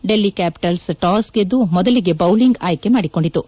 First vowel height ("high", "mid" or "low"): mid